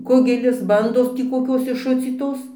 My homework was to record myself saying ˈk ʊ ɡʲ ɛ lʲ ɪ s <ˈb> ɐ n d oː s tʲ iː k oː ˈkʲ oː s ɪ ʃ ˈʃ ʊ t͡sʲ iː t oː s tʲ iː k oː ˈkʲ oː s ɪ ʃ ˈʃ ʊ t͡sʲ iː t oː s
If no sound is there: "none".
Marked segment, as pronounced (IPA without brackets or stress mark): b